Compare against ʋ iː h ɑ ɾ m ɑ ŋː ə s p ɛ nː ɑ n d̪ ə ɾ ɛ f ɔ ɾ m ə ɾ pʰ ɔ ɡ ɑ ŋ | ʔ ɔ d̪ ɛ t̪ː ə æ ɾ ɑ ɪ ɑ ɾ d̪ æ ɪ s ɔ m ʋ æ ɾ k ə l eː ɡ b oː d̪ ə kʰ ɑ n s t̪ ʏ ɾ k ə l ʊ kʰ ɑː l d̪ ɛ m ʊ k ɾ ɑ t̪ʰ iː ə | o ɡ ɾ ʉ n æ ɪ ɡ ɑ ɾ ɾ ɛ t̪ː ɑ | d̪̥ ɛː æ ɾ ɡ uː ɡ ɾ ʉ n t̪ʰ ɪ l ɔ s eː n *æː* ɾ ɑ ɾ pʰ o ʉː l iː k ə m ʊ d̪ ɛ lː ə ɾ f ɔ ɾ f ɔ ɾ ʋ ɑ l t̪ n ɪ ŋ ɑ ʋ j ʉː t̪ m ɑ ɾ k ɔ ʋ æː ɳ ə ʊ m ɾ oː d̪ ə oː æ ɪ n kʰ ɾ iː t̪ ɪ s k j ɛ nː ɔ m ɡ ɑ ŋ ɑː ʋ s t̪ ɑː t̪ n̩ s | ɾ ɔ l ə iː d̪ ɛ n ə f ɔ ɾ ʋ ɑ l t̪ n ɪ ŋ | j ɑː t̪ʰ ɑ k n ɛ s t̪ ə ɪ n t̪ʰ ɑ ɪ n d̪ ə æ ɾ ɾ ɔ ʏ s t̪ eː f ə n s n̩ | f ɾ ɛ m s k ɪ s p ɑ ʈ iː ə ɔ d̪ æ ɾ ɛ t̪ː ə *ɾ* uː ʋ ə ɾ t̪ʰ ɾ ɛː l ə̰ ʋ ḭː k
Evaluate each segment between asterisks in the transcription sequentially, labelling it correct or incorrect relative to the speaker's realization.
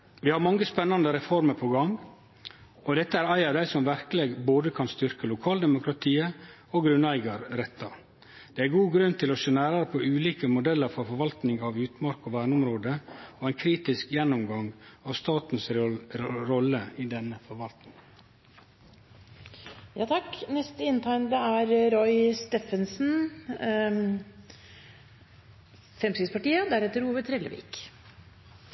correct, correct

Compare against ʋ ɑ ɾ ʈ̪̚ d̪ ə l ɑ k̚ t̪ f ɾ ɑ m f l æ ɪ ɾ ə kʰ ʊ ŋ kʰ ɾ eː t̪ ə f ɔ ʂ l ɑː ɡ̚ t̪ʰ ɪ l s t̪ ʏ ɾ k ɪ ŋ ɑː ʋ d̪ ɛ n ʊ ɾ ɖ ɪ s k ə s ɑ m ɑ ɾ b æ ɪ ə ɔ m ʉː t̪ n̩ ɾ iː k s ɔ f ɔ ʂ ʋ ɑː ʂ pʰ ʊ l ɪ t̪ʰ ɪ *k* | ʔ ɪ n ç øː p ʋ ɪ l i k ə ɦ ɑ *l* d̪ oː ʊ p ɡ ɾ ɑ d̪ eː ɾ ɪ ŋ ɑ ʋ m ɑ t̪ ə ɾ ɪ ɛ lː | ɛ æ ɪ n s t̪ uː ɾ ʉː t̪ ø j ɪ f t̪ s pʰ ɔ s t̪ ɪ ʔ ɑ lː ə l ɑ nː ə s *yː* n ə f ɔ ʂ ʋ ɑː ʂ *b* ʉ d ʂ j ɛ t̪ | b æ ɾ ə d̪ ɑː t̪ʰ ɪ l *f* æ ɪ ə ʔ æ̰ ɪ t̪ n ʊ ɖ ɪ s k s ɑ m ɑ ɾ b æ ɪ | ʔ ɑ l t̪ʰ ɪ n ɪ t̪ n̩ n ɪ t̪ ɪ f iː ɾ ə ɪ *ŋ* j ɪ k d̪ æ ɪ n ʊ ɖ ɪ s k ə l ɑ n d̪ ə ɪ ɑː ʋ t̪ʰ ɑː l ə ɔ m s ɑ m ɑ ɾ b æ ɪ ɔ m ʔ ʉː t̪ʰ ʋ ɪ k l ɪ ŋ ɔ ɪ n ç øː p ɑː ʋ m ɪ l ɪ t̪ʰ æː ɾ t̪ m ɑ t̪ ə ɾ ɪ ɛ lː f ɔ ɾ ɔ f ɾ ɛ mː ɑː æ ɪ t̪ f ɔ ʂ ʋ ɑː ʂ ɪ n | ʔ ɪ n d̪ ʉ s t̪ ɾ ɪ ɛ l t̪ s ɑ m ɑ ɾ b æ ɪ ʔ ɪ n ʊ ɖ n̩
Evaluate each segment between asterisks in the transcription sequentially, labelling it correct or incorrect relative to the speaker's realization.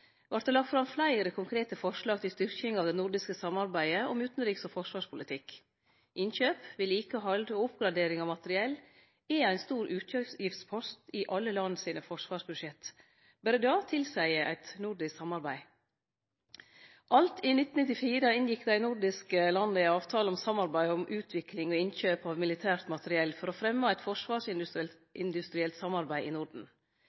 correct, correct, incorrect: iː, correct, incorrect: s, incorrect: n

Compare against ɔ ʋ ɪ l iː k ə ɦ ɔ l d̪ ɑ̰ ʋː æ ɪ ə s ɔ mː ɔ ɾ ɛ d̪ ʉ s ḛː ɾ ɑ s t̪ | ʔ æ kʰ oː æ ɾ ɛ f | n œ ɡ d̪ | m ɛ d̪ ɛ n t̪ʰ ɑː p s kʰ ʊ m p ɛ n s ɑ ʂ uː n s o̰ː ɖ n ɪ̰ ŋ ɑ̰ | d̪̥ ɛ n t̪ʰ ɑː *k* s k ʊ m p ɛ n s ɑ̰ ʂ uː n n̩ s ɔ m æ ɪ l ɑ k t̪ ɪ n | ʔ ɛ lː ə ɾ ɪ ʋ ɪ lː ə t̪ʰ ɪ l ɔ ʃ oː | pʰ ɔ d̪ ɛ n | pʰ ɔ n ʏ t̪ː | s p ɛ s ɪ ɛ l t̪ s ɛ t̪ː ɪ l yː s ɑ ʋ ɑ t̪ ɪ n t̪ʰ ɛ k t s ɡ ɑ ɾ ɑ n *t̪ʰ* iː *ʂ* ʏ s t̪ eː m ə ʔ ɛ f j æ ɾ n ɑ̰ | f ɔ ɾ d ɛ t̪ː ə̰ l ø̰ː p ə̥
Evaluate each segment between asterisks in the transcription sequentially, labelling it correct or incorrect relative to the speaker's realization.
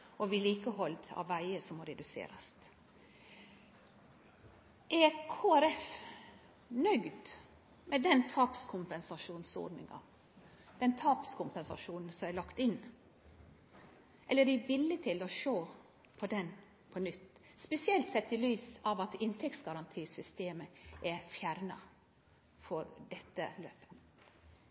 incorrect: p, correct, incorrect: s

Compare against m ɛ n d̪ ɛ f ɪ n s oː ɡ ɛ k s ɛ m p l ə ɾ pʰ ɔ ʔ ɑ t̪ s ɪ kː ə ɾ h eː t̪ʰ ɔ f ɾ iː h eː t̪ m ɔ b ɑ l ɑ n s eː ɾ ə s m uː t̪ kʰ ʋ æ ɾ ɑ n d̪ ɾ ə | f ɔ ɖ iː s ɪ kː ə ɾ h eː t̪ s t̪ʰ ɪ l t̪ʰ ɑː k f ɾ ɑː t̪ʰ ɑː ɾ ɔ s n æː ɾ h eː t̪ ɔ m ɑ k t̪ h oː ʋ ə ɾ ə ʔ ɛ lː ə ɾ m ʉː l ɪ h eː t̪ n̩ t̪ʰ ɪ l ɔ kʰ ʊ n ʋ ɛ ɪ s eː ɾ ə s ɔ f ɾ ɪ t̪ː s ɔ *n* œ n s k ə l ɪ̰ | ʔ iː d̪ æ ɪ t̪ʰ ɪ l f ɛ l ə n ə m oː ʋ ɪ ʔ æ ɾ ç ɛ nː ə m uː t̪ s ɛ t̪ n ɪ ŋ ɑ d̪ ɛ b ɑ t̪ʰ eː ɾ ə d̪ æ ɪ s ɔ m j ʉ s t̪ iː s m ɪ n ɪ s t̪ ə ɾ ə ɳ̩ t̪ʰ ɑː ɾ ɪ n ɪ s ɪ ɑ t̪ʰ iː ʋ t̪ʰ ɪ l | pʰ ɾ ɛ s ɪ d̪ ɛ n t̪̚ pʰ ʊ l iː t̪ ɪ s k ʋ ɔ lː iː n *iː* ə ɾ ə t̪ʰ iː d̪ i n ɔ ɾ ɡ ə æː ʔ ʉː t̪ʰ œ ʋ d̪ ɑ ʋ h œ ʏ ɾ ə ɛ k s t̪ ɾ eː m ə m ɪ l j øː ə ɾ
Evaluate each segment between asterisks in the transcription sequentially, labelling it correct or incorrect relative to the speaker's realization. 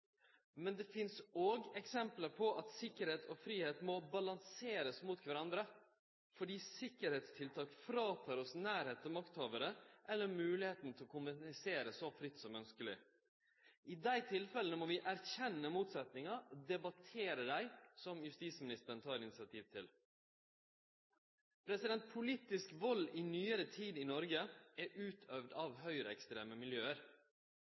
incorrect: m, incorrect: yː

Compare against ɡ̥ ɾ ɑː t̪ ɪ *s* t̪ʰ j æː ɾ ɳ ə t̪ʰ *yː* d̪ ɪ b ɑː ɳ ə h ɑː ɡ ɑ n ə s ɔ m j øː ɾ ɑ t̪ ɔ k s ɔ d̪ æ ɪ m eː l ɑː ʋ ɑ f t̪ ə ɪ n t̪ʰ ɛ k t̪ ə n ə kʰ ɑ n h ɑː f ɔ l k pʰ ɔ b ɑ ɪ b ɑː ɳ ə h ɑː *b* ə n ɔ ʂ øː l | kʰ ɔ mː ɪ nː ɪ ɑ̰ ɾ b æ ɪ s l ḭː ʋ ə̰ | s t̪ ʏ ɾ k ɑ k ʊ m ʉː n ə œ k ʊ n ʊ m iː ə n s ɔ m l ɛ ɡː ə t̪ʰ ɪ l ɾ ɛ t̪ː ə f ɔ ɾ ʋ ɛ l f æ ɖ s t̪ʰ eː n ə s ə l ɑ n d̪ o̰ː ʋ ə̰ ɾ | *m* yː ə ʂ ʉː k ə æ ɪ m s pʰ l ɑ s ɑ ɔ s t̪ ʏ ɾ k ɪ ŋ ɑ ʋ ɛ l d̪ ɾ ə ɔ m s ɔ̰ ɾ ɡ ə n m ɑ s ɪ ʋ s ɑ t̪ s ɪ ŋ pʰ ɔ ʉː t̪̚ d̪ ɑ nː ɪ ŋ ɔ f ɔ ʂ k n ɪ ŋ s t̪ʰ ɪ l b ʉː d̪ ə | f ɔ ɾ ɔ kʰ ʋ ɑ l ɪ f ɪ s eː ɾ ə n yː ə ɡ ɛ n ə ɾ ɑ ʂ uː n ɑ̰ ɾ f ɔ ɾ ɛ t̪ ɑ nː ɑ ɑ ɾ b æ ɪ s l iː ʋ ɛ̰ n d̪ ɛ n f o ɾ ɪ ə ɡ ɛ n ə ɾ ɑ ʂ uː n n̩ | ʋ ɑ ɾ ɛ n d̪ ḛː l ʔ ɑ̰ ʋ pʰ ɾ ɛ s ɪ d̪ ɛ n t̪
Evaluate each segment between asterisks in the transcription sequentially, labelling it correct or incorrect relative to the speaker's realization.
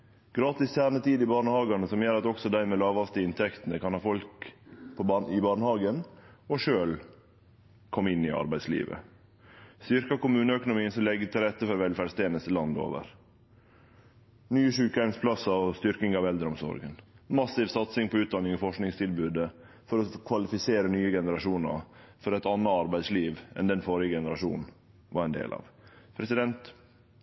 correct, incorrect: iː, incorrect: ɡ, incorrect: n

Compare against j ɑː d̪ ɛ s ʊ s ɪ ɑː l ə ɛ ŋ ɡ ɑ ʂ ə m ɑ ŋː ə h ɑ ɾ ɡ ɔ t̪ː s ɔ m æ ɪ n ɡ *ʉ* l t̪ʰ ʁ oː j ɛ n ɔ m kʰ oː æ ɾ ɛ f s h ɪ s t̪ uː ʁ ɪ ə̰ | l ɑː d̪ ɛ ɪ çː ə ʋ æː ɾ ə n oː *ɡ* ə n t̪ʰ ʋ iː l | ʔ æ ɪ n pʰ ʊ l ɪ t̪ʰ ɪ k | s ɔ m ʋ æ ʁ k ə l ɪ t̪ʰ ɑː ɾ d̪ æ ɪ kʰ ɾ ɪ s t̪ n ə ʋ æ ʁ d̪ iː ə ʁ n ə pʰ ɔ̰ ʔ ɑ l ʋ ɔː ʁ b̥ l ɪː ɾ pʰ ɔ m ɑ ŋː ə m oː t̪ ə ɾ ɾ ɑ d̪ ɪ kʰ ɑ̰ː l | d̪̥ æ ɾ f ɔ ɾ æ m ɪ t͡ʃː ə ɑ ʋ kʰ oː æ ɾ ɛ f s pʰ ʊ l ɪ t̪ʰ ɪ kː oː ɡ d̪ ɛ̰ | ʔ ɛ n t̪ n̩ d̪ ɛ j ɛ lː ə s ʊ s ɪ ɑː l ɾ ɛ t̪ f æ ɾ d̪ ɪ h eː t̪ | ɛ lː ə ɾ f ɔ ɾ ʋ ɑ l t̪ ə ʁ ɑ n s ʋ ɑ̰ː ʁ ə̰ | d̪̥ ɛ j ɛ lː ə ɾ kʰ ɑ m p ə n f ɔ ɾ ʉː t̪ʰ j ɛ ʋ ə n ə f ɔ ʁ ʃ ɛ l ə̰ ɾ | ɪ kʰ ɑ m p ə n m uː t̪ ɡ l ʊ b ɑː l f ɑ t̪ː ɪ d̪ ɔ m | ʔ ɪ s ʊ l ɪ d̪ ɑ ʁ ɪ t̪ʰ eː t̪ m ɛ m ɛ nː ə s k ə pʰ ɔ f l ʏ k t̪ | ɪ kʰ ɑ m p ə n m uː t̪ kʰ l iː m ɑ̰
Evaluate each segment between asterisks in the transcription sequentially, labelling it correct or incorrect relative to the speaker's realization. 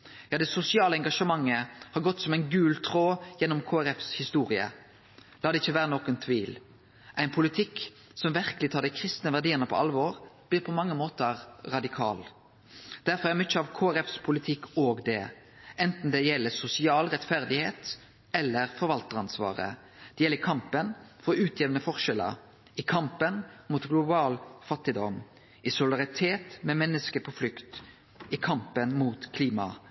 incorrect: ʉː, incorrect: k

